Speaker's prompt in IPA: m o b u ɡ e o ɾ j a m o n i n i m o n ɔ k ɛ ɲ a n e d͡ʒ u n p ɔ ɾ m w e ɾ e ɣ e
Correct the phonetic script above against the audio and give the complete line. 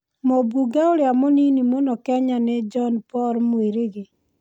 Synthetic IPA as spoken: m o b u ɡ a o ɾ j a m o n i n i m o n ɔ k ɛ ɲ a n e d͡ʒ ɔ n p ɔ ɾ m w e ɾ e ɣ e